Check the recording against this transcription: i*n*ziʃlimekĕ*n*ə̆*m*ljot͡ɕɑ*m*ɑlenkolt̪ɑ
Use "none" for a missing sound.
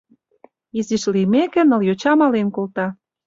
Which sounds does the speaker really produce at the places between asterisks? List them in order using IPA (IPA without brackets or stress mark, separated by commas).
none, n, none, m